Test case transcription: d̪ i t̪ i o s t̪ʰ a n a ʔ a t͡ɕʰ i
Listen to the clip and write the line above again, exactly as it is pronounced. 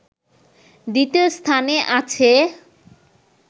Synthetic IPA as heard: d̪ i t̪ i o s t̪ʰ a n e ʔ a t͡ɕʰ e